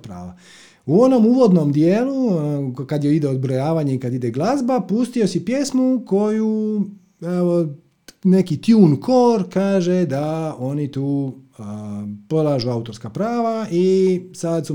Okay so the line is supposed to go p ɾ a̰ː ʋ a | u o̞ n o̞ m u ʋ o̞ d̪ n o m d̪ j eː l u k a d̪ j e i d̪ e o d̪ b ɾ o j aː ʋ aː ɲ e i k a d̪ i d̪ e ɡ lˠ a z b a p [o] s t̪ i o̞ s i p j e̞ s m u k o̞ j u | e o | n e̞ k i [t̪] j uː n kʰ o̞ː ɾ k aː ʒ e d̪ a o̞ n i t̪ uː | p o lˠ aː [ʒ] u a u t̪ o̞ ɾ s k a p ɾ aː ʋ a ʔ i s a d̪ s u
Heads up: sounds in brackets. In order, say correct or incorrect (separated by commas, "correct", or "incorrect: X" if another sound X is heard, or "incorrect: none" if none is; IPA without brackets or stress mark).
incorrect: u, correct, correct